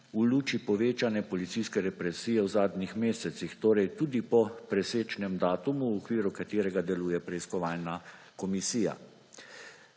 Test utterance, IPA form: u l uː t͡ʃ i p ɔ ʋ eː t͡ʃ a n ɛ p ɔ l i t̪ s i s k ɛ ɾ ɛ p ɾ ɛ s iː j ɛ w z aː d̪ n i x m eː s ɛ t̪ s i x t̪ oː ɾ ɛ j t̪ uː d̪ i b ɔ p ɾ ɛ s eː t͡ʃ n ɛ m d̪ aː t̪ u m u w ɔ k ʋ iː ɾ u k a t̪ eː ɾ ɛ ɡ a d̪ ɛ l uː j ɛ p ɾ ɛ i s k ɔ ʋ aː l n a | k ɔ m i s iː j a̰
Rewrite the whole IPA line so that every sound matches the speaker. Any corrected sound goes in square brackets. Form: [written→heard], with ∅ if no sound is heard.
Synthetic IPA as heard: u l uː t͡ʃ i p ɔ ʋ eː t͡ʃ a n ɛ p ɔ l i t̪ s i s k ɛ ɾ ɛ p ɾ ɛ s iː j ɛ w z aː d̪ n i x m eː s ɛ t̪ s i x t̪ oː ɾ ɛ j t̪ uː d̪ i [b→p] ɔ p ɾ ɛ s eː t͡ʃ n ɛ m d̪ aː t̪ u m u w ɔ k ʋ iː ɾ u k a t̪ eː ɾ ɛ ɡ a d̪ ɛ l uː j ɛ p ɾ ɛ i s k ɔ ʋ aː l n a | k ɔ m i s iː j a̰